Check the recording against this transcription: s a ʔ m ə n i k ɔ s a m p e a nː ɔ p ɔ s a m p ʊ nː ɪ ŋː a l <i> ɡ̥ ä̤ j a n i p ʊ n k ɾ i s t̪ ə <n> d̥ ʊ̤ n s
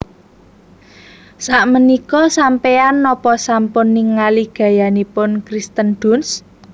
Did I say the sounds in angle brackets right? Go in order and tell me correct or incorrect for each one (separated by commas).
correct, correct